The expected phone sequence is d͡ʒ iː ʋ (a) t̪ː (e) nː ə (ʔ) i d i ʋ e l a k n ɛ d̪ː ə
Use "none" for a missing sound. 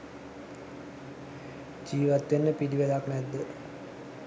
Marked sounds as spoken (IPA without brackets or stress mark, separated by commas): a, e, p